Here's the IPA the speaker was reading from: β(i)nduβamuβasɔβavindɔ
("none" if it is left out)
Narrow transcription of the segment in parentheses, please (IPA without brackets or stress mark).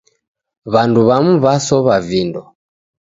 a